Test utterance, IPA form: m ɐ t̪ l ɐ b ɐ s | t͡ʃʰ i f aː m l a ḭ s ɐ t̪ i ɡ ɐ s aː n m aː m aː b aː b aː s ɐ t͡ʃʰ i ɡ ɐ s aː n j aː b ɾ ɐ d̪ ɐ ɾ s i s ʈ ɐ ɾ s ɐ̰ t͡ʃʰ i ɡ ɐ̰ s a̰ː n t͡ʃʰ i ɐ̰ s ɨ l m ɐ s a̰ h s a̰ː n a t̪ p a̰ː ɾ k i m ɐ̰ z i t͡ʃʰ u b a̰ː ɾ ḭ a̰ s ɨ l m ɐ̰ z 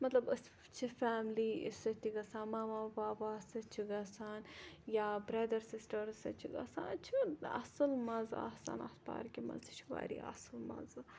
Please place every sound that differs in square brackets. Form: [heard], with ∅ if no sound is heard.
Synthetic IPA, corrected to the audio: m ɐ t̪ l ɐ b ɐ s | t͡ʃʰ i f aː m l [i] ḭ s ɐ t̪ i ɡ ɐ s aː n m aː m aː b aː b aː s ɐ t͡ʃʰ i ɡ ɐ s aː n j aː b ɾ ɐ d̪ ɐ ɾ s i s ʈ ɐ ɾ s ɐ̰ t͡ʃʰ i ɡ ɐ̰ s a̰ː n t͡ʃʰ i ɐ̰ s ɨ l m ɐ [z] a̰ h s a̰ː n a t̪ p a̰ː ɾ k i m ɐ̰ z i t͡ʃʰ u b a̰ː ɾ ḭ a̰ s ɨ l m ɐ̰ z